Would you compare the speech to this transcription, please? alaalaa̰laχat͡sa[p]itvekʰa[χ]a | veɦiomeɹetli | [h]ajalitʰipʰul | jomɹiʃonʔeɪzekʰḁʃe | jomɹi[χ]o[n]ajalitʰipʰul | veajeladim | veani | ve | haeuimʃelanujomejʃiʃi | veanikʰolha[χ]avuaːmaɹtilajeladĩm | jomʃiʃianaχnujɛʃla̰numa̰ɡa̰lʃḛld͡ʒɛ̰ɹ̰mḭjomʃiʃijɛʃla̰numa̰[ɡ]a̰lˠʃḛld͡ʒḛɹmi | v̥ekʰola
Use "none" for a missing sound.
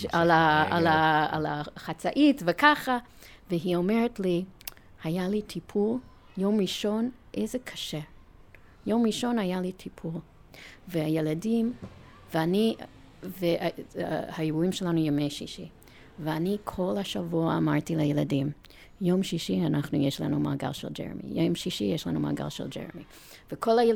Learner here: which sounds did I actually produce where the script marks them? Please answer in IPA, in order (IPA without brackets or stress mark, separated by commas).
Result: ʔ, χ, h, ʃ, n, ʃ, ɡ